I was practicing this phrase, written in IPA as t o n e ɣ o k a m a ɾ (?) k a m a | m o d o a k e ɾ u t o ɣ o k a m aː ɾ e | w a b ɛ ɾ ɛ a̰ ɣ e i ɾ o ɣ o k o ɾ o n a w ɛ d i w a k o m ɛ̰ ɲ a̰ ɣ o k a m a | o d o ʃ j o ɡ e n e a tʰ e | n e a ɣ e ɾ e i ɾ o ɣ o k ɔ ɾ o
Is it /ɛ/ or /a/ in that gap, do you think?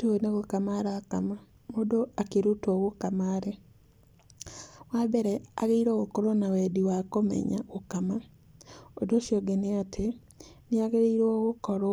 a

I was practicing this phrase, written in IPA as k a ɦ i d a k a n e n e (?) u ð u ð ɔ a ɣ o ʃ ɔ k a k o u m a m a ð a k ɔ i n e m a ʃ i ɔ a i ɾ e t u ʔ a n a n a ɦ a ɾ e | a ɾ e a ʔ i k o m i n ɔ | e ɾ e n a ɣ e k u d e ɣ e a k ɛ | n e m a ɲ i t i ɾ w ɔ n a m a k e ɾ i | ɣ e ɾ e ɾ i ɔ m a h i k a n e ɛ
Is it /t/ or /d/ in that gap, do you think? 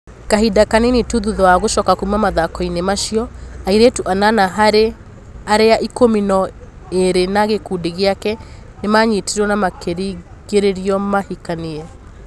t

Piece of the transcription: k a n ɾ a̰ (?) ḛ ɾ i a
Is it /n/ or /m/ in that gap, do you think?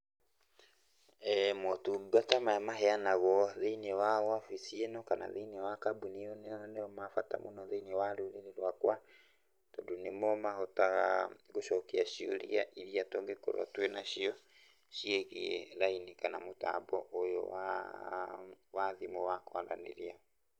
n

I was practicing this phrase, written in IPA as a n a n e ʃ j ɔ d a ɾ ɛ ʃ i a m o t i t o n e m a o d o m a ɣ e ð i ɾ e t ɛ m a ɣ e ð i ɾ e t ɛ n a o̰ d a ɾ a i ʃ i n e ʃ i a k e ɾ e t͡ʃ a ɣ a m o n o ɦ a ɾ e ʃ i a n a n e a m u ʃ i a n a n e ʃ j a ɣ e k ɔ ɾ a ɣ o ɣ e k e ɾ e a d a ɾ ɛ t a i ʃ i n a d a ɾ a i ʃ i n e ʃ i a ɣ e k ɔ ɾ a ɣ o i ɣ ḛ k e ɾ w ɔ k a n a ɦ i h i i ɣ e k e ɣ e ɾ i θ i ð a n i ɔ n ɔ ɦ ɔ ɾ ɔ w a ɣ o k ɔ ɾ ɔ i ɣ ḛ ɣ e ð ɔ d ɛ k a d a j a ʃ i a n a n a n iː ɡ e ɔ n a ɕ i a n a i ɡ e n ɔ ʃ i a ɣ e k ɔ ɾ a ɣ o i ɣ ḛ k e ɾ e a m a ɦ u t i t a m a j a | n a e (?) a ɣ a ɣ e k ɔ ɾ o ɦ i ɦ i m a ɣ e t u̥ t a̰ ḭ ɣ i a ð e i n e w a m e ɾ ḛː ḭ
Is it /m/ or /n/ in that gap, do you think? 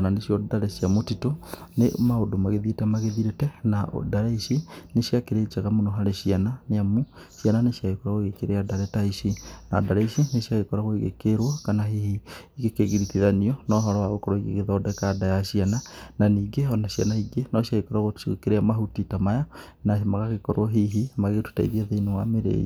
m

